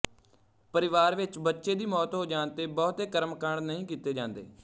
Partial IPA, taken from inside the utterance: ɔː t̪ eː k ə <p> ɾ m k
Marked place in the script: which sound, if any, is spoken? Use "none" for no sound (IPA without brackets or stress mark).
none